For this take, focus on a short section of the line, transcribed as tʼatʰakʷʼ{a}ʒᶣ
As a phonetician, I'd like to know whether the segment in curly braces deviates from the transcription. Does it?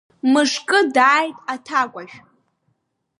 no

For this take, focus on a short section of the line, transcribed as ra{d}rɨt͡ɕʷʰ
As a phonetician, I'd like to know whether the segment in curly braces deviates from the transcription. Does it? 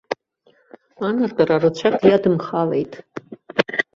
yes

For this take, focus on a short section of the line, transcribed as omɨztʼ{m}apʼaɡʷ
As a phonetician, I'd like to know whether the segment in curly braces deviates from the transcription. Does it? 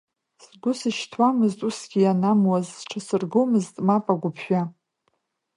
no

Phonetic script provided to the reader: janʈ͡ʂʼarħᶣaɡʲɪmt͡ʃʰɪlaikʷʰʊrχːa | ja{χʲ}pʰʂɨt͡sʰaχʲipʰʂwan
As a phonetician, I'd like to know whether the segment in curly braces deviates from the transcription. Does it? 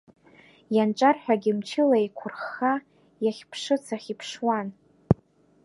no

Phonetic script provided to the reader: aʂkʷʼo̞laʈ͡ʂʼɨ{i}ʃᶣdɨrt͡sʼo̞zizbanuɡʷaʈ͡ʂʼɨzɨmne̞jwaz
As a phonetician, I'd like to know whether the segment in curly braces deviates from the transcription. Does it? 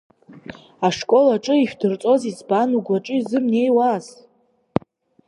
no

